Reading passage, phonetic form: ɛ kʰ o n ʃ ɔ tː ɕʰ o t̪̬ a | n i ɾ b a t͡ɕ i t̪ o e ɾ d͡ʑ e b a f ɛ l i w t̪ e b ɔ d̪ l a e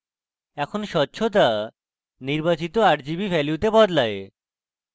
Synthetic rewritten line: ɛ kʰ o n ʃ ɔ tː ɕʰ o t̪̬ a | n i ɾ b a t͡ɕ i t̪ o a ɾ d͡ʑ i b i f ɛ l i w t̪ e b ɔ d̪ l a e